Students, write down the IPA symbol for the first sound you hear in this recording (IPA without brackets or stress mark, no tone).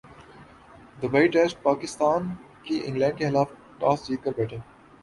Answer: d̪